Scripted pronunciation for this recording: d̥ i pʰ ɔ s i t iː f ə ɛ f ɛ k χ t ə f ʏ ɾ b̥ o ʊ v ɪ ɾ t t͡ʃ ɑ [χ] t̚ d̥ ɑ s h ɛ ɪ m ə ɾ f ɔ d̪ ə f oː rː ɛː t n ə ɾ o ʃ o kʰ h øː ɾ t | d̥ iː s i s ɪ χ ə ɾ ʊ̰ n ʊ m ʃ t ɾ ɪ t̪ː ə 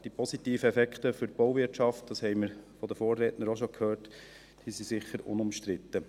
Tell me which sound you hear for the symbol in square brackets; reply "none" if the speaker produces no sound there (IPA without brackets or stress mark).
f